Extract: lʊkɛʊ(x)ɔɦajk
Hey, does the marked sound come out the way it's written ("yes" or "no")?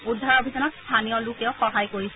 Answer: yes